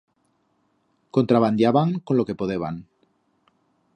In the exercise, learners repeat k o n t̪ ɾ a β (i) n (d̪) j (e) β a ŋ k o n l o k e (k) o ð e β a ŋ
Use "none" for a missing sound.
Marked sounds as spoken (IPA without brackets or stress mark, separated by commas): a, d̪, a, p